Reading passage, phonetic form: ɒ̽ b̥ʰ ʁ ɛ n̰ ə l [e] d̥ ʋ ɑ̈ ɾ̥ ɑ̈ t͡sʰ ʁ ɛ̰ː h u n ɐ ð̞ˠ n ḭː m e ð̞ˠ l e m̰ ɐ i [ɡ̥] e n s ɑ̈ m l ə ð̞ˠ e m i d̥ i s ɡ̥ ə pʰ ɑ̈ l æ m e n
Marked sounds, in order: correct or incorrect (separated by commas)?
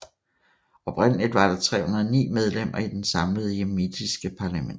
incorrect, incorrect